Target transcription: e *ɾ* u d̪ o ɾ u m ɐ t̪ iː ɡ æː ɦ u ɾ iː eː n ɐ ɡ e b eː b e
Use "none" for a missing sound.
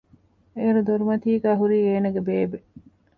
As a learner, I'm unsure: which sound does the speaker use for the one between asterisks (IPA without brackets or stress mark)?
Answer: ɾ